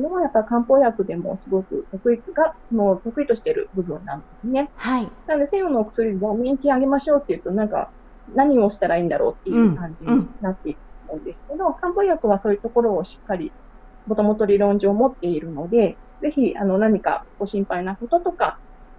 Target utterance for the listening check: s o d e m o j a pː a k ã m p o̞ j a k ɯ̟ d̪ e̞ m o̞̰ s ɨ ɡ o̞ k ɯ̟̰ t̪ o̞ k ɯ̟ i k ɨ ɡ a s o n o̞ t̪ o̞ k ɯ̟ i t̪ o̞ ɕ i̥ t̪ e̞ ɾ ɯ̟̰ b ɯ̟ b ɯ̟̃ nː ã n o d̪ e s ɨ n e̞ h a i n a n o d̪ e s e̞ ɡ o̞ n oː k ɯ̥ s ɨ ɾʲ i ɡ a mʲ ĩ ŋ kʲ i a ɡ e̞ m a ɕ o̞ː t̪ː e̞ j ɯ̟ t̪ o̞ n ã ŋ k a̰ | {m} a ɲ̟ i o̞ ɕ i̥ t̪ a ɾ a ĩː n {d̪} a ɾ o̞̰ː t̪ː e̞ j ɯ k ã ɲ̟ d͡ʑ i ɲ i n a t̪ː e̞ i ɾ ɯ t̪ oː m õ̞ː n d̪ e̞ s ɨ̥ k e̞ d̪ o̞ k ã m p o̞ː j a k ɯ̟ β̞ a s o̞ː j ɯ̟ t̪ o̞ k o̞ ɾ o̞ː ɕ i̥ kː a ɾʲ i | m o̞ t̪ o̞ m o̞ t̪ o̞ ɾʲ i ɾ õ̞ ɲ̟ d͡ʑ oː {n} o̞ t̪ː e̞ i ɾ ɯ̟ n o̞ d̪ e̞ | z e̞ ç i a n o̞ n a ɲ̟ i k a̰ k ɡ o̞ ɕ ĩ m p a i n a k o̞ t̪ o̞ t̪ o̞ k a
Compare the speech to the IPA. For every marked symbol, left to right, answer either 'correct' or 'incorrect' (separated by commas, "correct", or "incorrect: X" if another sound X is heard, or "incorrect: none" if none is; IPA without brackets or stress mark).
incorrect: n, correct, incorrect: m